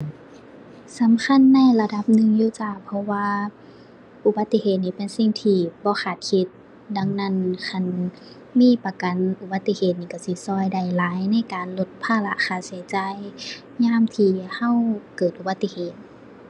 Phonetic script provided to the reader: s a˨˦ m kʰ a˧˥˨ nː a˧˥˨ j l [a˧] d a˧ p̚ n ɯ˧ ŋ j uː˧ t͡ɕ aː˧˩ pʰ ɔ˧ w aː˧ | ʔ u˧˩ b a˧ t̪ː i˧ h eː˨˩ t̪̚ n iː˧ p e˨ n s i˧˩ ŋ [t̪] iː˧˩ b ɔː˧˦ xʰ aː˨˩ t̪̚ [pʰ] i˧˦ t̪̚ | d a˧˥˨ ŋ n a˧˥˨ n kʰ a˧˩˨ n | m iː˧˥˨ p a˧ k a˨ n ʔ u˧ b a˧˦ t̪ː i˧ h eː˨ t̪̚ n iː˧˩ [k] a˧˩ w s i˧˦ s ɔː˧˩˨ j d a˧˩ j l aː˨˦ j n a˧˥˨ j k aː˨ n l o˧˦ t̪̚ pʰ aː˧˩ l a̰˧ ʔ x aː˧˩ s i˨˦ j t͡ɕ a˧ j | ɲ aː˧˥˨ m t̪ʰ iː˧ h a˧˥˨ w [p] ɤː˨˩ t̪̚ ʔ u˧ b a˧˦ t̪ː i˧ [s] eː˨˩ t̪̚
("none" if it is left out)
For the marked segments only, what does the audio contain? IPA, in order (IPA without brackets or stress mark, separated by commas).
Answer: a˧, t̪ʰ, kʰ, k, k, h